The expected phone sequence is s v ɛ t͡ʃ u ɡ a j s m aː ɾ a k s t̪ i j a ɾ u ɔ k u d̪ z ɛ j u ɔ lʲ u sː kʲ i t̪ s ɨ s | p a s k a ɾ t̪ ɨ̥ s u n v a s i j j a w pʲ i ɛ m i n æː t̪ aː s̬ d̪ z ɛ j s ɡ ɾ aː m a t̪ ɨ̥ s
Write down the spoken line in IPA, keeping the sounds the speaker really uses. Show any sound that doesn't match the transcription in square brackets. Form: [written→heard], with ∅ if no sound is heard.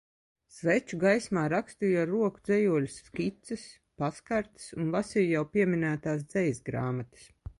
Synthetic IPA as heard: s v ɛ t͡ʃ u ɡ a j s m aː ɾ a k s t̪ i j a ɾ u ɔ k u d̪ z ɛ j u ɔ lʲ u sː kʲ i t̪ s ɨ s | p a s k a ɾ t̪ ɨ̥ s u n v a s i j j a w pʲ i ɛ m i n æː t̪ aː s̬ d̪ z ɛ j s ɡ ɾ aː m a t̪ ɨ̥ s